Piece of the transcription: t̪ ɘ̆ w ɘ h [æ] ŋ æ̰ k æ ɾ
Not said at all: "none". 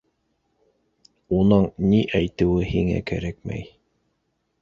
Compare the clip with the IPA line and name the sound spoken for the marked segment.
i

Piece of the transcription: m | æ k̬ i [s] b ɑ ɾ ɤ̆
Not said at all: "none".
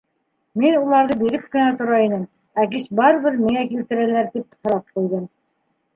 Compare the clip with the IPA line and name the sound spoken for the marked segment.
ʃ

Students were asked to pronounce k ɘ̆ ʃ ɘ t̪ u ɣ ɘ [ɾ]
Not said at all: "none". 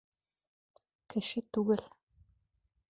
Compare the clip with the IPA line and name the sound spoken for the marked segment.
l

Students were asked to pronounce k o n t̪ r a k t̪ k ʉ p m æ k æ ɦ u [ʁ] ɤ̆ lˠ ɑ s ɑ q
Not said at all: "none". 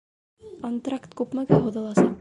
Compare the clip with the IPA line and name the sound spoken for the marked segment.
ð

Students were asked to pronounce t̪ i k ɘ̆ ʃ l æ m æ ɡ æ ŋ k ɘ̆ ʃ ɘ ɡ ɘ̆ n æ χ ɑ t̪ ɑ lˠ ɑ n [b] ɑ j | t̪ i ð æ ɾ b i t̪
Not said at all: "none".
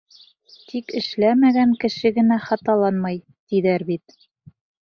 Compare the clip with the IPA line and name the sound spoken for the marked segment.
m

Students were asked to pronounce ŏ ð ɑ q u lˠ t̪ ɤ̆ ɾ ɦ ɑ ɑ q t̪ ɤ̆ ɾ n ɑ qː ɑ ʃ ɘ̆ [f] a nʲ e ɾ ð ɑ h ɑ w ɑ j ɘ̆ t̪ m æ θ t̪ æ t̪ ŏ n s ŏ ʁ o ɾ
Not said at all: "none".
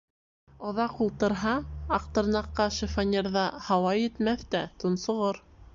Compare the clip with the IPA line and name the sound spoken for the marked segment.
f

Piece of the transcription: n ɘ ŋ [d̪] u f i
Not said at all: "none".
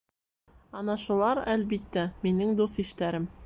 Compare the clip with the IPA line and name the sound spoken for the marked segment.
d̪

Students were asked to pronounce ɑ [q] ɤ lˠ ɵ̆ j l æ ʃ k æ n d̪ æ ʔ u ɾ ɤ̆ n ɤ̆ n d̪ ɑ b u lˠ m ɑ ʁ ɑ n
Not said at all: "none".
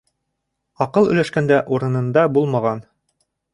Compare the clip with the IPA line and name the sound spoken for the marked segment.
q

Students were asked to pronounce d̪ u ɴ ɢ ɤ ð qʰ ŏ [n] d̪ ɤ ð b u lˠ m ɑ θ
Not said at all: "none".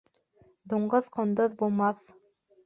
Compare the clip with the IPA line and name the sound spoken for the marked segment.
n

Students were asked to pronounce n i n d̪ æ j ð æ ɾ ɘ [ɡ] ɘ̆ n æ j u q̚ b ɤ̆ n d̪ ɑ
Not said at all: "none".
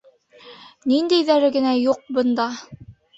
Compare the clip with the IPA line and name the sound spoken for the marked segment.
ɡ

